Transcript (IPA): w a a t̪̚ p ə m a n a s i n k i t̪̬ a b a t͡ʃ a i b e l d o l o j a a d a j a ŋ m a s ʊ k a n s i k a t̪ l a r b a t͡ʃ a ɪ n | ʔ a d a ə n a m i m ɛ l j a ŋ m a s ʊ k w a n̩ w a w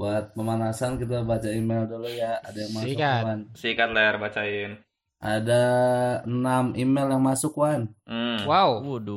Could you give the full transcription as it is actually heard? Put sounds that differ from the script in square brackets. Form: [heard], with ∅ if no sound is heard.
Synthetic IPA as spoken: [b] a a t̪̚ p ə m a n a s [a] n k i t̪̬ a b a t͡ʃ a i [m] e l d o l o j a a d a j a ŋ m a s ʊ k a n s i k a t̪ l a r b a t͡ʃ a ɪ n | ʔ a d a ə n a m i m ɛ l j a ŋ m a s ʊ k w a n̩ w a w